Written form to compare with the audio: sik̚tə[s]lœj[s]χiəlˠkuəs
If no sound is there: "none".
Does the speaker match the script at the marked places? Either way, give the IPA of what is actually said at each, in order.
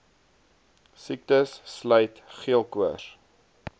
sː, t

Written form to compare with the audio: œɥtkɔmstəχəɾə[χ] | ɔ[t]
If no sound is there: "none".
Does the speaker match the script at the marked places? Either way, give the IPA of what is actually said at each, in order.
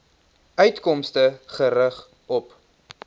χ, p

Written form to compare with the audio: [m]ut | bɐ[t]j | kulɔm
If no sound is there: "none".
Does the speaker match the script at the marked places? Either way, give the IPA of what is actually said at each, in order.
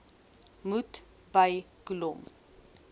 m, none

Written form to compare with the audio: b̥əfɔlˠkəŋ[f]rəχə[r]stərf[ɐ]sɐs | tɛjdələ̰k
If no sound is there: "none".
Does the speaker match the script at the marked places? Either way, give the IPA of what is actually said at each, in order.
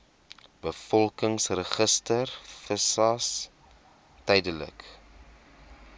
s, none, ə

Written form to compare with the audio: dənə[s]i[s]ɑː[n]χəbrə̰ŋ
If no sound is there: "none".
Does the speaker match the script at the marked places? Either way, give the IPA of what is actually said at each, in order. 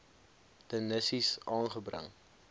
s, s, n

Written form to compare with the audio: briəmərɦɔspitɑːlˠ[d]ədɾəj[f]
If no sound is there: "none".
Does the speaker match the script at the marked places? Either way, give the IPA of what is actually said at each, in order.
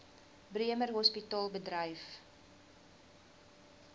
b, f

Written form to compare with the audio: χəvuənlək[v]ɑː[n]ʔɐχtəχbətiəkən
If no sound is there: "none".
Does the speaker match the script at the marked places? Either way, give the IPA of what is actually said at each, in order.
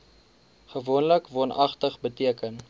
v, n

